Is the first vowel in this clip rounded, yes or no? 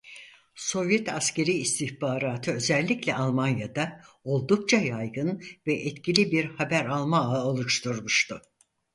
yes